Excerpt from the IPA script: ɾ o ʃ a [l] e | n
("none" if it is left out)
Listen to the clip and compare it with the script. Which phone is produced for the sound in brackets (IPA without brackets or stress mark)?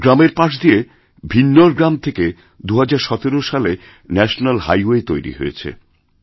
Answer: l